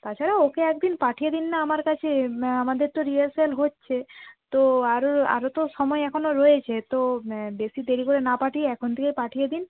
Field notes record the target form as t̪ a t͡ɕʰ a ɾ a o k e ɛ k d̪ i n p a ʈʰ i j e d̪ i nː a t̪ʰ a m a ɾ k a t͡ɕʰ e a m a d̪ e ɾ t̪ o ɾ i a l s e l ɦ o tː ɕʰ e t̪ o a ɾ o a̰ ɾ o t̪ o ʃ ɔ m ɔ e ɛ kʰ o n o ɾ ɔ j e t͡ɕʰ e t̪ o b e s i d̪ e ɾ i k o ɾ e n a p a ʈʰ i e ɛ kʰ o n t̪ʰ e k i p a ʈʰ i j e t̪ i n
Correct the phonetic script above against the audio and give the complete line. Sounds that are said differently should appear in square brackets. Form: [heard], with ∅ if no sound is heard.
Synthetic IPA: t̪ a t͡ɕʰ a ɾ a o k e ɛ k d̪ i n p a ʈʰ i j e d̪ i nː a [∅] a m a ɾ k a t͡ɕʰ e a m a d̪ e ɾ t̪ o ɾ i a l s e l ɦ o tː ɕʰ e t̪ o a ɾ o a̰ ɾ o t̪ o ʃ ɔ m ɔ e ɛ kʰ o n o ɾ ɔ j e t͡ɕʰ e t̪ o b e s i d̪ e ɾ i k o ɾ e n a p a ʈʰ i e ɛ kʰ o n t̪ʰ e k [e] p a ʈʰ i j e [d̪] i n